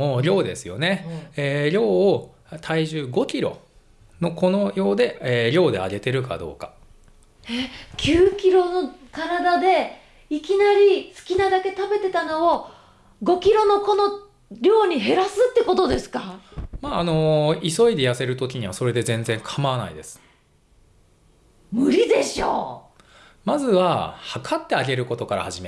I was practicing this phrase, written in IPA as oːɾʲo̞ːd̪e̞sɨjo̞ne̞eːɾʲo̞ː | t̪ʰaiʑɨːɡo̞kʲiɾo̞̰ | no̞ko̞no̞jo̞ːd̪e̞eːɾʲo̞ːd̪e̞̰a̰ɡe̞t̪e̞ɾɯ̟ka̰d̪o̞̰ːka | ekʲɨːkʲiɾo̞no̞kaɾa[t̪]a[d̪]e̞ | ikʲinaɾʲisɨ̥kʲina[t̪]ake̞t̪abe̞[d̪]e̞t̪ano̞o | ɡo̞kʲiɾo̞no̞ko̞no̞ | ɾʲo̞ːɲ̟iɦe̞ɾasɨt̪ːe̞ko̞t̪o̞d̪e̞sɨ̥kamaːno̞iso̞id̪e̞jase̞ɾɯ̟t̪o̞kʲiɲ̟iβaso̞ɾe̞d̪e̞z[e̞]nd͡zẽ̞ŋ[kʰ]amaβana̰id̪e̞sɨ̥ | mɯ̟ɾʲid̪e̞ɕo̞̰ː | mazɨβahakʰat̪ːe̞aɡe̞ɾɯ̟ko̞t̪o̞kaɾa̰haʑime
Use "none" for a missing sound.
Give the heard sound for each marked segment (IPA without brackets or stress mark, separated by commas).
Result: d̪, d̪, d̪, t̪, ẽ̞, kʰ